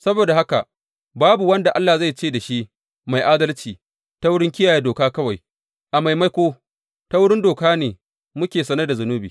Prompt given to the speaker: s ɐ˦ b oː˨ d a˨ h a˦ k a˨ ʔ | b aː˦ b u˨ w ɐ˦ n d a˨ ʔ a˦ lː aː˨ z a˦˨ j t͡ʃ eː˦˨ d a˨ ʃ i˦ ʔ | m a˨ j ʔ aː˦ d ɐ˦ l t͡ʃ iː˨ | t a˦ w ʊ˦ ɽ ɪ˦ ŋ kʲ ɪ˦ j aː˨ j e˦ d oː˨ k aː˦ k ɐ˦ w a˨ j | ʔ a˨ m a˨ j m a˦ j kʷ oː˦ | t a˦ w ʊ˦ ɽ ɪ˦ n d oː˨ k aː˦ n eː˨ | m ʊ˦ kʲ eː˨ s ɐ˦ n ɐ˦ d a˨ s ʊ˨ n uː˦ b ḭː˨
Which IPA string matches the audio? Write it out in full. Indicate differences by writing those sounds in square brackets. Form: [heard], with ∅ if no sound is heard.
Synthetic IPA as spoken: s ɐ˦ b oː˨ d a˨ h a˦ k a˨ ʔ | b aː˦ b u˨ w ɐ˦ n d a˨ ʔ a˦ lː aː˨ z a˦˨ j t͡ʃ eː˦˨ d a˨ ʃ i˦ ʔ | m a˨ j ʔ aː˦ d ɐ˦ l t͡ʃ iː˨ | t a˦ w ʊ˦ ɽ ɪ˦ ŋ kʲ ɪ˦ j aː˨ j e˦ d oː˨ k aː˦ k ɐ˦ w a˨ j | ʔ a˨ m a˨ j m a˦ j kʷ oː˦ | t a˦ w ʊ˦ ɽ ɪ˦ n d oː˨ k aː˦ n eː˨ | m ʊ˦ kʲ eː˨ s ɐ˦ n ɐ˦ d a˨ [z] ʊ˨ n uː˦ b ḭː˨